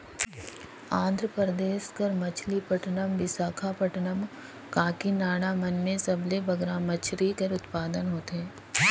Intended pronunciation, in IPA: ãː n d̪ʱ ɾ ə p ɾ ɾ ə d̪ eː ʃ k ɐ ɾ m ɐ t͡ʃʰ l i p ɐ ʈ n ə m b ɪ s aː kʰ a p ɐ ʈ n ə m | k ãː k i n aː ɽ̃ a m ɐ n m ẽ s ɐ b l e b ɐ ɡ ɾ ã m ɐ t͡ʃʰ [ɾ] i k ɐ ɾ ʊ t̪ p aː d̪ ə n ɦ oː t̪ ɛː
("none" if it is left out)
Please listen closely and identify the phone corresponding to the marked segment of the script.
ɾ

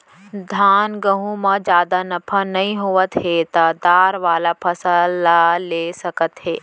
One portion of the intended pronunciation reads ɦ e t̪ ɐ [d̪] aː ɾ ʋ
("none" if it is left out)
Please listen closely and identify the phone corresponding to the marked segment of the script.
d̪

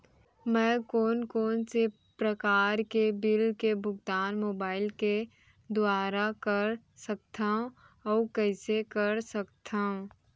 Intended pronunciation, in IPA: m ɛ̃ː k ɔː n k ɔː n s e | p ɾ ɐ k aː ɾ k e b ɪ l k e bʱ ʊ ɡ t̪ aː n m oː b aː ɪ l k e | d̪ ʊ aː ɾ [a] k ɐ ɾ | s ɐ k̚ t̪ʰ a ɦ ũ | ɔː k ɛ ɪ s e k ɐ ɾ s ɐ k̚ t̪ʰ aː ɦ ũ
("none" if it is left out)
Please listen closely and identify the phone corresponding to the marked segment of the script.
a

